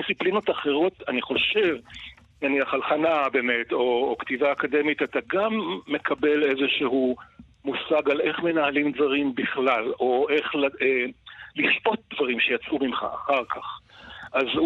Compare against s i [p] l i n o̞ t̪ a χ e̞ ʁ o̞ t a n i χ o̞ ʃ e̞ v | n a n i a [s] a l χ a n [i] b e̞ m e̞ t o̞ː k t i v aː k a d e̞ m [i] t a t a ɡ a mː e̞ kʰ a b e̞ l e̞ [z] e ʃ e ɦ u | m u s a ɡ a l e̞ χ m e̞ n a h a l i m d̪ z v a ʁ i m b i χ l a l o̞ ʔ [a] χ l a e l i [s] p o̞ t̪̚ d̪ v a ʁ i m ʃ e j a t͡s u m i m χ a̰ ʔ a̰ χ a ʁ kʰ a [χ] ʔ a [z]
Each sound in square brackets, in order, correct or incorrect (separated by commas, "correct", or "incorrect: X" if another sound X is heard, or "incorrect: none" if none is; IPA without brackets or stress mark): correct, incorrect: χ, incorrect: a, correct, correct, incorrect: e, incorrect: ʃ, correct, correct